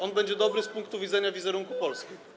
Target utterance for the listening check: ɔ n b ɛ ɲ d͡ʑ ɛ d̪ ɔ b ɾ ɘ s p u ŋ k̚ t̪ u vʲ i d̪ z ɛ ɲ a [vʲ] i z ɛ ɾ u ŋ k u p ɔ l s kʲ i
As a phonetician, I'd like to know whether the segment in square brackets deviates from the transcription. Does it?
no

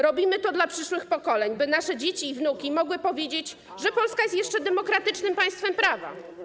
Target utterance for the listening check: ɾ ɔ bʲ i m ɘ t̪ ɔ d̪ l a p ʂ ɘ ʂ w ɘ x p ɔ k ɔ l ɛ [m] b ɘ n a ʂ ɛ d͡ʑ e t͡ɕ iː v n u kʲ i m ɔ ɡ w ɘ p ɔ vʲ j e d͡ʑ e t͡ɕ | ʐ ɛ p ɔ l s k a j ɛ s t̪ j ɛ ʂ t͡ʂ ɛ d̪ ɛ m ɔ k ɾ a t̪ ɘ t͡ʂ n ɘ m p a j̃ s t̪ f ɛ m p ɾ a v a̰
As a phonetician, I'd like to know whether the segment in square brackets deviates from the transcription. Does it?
yes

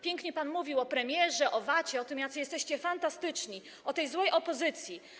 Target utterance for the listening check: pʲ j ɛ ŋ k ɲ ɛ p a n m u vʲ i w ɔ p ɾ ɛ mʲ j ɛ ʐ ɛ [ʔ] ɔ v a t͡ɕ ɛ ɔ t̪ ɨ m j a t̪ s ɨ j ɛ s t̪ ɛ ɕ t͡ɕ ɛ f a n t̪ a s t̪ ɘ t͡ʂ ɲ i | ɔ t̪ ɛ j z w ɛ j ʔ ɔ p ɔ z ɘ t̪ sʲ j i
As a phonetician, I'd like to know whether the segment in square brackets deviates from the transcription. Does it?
no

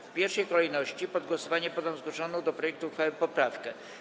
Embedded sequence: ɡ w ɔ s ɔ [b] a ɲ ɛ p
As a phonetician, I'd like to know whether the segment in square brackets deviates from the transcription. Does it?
yes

